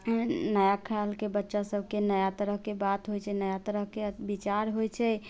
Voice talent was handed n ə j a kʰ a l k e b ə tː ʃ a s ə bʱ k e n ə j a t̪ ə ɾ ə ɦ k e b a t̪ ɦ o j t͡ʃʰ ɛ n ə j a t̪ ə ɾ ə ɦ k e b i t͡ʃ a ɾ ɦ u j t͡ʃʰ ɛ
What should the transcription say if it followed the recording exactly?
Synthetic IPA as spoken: n ə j a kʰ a l k e b ə tː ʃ a s ə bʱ k e n ə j a t̪ ə ɾ ə ɦ k e b a t̪ ɦ o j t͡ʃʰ ɛ n ə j a t̪ ə ɾ ə ɦ k e b i t͡ʃ a ɾ ɦ o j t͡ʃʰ ɛ